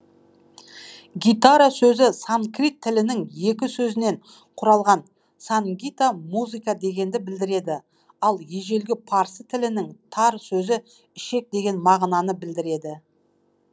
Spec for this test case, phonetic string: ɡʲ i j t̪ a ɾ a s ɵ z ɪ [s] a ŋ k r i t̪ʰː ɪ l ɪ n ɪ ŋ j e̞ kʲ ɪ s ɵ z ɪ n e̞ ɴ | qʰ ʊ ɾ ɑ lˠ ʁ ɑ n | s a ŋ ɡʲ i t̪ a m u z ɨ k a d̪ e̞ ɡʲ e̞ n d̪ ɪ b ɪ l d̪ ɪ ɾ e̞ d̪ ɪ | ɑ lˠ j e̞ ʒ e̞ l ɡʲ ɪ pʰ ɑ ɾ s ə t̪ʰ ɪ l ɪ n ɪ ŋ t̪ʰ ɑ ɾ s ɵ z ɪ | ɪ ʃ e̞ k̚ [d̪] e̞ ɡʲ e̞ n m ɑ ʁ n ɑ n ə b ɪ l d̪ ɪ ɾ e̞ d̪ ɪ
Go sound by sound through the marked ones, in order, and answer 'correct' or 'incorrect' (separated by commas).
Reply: correct, correct